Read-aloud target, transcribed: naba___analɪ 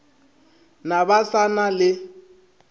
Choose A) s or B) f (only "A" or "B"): A